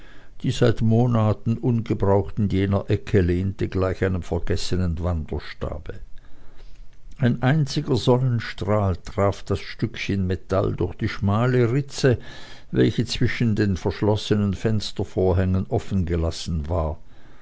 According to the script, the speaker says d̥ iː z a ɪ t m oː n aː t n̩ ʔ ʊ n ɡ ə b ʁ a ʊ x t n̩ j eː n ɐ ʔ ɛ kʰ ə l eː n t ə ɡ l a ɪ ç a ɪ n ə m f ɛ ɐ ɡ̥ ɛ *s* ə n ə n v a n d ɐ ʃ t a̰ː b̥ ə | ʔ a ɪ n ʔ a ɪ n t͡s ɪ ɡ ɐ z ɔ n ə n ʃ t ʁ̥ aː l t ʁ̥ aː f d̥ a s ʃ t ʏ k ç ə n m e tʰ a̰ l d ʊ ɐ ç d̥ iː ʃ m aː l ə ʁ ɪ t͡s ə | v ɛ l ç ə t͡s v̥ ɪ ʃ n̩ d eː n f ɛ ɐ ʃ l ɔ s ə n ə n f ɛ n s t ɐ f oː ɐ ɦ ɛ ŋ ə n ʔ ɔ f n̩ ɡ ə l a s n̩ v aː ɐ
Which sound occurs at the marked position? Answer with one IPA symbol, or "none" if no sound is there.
s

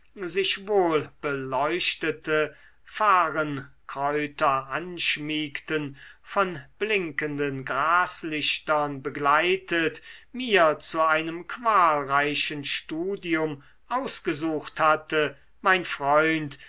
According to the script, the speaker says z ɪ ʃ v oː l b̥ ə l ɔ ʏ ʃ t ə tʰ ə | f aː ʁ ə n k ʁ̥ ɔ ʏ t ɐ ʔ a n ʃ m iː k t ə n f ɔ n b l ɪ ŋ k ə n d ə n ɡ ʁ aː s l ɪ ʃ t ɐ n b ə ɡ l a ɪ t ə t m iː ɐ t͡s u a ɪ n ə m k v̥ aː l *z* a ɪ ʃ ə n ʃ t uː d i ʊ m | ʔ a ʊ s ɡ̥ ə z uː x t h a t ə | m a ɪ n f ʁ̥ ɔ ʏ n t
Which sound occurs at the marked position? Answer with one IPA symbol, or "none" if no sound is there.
ʁ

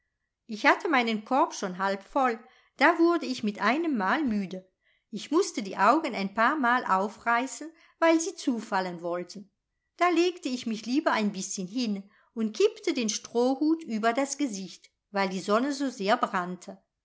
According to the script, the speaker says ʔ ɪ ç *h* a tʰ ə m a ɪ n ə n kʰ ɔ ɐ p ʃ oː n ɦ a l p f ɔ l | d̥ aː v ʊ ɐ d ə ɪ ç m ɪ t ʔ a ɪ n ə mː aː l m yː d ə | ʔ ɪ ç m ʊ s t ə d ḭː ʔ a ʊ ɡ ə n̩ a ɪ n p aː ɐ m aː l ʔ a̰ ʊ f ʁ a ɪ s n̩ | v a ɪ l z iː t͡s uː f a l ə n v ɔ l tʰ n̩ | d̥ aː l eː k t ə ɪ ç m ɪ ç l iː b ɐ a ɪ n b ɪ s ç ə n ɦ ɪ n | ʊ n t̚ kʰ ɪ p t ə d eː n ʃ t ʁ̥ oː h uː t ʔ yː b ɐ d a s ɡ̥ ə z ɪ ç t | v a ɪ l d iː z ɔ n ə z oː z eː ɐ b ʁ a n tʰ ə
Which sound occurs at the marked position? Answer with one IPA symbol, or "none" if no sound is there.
h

